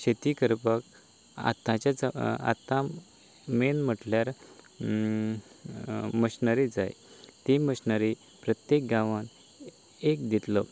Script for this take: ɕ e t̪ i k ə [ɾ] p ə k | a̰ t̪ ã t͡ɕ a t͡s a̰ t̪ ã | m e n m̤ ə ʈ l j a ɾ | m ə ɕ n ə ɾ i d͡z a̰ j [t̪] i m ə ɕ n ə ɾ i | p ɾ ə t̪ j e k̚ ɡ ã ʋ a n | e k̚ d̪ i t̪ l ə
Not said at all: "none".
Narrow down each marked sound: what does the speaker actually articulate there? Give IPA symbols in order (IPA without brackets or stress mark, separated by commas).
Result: ɾ, t̪